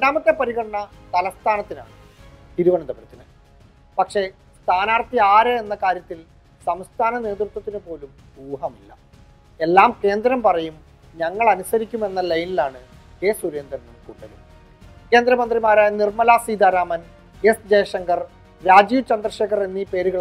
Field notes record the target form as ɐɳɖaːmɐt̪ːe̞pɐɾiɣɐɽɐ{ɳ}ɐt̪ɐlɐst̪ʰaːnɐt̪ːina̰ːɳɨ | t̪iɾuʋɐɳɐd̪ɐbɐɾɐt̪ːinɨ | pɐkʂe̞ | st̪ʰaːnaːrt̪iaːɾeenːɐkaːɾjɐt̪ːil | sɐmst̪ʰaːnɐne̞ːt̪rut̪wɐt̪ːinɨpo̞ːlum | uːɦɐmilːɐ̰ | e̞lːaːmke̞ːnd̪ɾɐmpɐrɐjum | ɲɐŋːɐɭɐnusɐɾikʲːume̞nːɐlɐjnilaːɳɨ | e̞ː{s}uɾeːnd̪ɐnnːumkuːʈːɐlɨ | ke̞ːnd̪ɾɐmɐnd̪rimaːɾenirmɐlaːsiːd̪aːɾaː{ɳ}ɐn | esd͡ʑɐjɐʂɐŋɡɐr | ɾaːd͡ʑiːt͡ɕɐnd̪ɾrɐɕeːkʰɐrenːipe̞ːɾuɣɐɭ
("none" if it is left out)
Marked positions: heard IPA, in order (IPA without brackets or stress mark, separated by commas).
ɳ, s, m